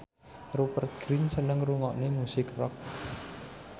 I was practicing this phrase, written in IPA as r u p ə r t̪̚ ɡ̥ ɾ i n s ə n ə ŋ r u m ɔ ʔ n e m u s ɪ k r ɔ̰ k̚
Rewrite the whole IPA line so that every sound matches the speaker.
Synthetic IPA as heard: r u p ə r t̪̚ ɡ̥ ɾ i n s ə n ə ŋ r u ŋ ɔ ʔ n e m u s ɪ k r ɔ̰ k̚